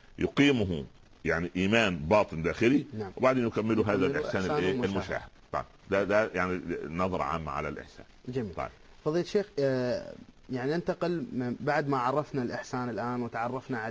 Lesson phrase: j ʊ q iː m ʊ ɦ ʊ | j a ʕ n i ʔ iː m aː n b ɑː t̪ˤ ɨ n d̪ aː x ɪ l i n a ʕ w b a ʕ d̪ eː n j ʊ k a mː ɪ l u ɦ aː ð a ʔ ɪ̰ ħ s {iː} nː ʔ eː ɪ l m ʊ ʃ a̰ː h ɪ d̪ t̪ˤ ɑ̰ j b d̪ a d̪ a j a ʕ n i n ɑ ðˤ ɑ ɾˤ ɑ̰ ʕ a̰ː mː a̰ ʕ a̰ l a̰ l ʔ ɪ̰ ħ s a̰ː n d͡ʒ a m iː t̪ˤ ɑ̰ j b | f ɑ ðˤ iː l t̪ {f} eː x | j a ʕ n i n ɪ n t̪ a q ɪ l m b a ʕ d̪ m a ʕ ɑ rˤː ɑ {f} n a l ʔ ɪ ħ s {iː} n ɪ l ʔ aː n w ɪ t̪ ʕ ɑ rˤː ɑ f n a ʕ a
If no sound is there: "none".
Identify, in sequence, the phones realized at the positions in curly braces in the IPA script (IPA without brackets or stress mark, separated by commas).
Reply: aː, ʃ, f, aː